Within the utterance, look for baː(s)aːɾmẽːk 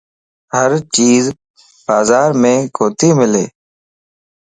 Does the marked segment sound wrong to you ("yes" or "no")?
yes